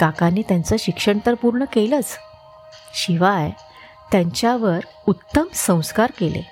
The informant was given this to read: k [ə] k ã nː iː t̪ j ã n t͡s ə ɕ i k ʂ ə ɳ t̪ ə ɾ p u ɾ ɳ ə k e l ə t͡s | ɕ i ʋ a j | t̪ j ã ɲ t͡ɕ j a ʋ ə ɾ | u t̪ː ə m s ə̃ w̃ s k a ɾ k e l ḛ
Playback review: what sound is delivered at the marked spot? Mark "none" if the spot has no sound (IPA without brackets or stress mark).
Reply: a